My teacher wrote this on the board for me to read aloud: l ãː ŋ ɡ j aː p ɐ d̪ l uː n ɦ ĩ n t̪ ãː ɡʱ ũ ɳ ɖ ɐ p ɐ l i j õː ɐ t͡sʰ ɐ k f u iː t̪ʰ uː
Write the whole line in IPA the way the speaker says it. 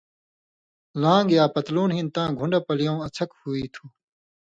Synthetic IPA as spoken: l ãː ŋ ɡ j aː p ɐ t̪ l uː n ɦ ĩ n t̪ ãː ɡʱ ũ ɳ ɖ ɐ p ɐ l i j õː ɐ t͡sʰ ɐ k h u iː t̪ʰ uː